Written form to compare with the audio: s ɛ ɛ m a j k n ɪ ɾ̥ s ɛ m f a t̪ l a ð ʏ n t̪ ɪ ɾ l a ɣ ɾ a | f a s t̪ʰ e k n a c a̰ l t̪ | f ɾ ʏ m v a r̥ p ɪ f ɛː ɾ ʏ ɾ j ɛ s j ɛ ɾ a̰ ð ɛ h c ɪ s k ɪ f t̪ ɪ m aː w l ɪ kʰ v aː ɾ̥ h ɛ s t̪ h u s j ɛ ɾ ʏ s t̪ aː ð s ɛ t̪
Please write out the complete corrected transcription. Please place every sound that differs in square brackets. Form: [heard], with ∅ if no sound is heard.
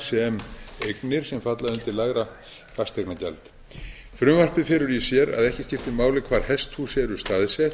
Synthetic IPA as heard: s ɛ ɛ m [e] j k n ɪ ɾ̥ s ɛ m f a t̪ l a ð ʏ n t̪ ɪ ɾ l a ɣ ɾ a | f a s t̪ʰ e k n a c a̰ l t̪ | f ɾ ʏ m v a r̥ p ɪ f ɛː ɾ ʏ ɾ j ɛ s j ɛ ɾ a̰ ð ɛ h c ɪ s [c] ɪ f t̪ ɪ m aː w l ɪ kʰ v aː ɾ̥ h ɛ s t̪ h u s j ɛ ɾ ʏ s t̪ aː ð s ɛ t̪